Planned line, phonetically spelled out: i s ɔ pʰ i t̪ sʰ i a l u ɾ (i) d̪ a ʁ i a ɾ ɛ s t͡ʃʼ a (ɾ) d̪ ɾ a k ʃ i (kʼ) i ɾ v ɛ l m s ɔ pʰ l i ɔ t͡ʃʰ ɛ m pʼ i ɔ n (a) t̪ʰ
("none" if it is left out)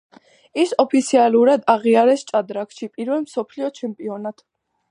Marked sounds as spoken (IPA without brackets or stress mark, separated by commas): a, none, pʼ, a